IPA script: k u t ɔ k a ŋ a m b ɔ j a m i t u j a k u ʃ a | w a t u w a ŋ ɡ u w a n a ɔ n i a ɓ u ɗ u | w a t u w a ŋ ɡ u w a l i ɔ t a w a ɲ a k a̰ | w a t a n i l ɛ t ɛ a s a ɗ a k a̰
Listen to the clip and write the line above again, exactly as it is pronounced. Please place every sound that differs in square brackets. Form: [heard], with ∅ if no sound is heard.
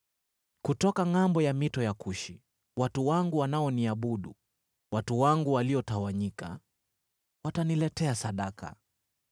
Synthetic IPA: k u t ɔ k a ŋ a m b ɔ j a m i t [ɔ] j a k u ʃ [i] | w a t u w a ŋ ɡ u w a n a ɔ n i a ɓ u ɗ u | w a t u w a ŋ ɡ u w a l i ɔ t a w a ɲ [i] k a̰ | w a t a n i l ɛ t ɛ a s a ɗ a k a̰